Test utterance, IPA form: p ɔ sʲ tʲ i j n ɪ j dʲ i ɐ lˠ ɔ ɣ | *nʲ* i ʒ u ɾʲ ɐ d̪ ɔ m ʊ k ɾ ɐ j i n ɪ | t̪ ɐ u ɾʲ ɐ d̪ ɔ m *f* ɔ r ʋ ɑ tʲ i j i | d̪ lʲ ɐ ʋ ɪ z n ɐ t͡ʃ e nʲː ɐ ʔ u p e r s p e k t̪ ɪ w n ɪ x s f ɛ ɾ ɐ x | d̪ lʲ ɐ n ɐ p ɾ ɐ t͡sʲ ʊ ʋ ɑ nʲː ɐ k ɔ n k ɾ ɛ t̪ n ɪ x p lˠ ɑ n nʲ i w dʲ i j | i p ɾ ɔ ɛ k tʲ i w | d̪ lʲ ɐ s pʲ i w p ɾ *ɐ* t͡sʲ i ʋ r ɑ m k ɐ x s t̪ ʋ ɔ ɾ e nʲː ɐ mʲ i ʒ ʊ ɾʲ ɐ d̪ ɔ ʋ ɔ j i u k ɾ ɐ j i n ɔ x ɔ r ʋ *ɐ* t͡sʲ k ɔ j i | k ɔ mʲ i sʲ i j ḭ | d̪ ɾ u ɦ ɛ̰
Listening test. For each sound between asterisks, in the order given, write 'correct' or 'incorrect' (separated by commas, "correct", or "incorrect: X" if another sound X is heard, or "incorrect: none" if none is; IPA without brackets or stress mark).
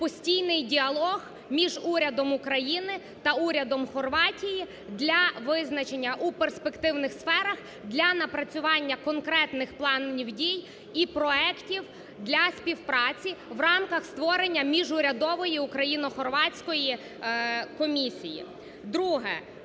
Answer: incorrect: mʲ, incorrect: x, incorrect: ɑ, incorrect: ɑ